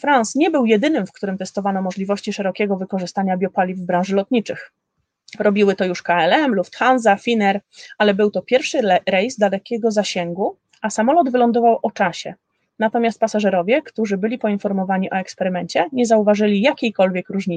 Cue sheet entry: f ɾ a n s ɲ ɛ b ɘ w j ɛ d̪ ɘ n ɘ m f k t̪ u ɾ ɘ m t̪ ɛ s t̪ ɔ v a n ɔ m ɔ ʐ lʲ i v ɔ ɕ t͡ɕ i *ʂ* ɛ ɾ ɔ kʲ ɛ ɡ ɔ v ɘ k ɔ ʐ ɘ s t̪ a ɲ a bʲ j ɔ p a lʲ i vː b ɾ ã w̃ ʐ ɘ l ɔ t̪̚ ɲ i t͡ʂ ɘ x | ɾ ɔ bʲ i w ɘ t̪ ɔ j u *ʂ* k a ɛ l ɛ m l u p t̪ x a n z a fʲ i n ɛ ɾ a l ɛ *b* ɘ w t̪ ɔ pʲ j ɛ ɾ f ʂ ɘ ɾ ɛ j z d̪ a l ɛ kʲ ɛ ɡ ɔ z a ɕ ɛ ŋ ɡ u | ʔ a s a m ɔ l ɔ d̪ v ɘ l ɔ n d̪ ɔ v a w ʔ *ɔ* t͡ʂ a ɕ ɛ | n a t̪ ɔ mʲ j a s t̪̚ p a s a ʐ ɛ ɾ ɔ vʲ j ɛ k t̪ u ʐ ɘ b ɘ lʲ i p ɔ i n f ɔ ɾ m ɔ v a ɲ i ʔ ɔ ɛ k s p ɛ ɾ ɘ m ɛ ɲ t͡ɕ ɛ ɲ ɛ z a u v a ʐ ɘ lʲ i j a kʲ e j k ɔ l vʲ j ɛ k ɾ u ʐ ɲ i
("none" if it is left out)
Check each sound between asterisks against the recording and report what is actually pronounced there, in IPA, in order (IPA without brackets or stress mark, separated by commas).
ʂ, ʂ, b, ɔ